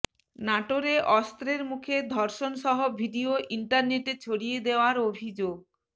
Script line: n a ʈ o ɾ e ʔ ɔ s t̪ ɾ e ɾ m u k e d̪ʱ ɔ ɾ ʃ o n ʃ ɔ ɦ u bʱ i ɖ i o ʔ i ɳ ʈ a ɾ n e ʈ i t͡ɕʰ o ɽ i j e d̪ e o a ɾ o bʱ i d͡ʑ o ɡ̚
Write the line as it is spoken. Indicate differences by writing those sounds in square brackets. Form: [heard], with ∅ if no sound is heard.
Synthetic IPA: n a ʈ o ɾ e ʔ ɔ s t̪ ɾ e ɾ m u [kʰ] e d̪ʱ ɔ ɾ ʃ o n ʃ ɔ ɦ [o] bʱ i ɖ i o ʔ i ɳ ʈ a ɾ n e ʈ [e] t͡ɕʰ o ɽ i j e d̪ e o a ɾ o bʱ i d͡ʑ o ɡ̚